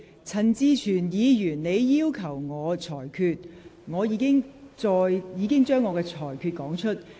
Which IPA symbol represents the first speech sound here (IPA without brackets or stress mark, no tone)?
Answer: t͡sʰ